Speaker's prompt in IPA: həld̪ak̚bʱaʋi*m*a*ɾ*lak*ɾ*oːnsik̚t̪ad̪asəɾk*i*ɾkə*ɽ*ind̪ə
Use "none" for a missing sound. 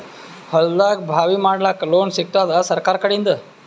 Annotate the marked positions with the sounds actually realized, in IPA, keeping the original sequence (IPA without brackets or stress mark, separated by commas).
m, ɽ, l, a, ɽ